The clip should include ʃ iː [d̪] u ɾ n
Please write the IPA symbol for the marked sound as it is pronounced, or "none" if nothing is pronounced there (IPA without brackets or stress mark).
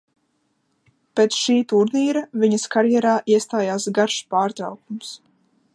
t̪